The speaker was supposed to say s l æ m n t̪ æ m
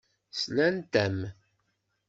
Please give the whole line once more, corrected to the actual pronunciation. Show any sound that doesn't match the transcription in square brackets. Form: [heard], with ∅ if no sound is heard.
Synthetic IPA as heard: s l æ [∅] n t̪ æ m